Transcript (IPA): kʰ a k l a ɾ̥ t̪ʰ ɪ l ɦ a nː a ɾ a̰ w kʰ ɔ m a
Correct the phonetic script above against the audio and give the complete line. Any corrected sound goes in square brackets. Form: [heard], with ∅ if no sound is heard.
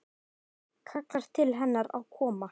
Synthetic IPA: kʰ a k l a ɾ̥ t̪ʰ ɪ l ɦ [ɛ] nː a ɾ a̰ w kʰ [ɔː] m a